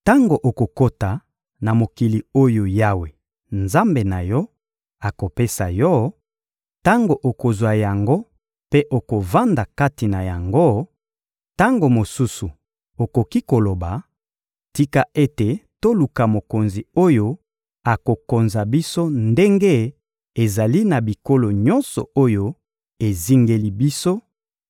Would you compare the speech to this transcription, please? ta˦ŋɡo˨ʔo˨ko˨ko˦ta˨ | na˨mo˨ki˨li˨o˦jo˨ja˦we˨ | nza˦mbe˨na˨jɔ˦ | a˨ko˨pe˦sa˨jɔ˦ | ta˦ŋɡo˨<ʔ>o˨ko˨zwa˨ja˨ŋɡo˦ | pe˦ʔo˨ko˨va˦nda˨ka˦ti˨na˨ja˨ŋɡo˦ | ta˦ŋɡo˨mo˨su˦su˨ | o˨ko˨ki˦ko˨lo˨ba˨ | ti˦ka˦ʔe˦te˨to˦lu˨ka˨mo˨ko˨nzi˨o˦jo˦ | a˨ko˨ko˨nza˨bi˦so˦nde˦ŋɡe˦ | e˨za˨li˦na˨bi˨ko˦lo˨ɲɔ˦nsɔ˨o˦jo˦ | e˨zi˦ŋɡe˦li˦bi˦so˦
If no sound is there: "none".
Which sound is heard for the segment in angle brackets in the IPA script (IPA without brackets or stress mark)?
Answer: ʔ